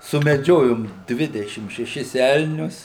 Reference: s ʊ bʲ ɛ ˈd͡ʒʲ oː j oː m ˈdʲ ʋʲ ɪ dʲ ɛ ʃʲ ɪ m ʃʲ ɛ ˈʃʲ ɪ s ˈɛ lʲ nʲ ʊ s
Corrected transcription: s ʊ mʲ ɛ ˈd͡ʒʲ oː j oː m ˈdʲ ʋʲ ɪ dʲ ɛ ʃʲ ɪ m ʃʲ ɛ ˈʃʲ ɪ s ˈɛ lʲ nʲ ʊ s